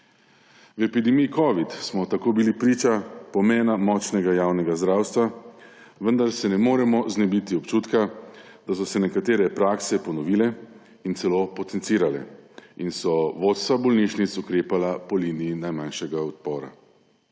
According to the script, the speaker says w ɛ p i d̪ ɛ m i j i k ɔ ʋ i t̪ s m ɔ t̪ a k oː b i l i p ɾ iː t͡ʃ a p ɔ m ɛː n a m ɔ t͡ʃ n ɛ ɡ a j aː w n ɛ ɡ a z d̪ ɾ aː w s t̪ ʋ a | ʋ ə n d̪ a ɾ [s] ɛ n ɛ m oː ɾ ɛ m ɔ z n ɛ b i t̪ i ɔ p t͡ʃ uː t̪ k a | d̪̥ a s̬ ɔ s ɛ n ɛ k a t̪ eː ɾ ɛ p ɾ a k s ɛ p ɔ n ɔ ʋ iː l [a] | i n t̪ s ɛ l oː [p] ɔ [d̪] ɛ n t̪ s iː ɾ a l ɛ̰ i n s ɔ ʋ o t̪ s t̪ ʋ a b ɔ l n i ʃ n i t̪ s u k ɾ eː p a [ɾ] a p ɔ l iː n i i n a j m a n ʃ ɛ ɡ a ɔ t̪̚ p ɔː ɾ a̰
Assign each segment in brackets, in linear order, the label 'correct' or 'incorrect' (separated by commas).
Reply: correct, incorrect, correct, incorrect, incorrect